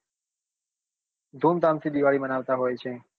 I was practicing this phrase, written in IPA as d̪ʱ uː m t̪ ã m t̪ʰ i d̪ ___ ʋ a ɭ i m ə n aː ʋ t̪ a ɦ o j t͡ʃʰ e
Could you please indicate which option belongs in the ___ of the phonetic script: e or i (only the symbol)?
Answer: i